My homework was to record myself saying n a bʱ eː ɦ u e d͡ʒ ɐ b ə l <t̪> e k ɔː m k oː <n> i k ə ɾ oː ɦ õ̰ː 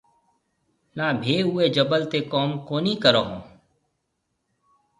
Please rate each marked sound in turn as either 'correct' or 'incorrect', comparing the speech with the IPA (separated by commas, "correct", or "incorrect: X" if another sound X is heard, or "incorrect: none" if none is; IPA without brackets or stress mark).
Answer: correct, correct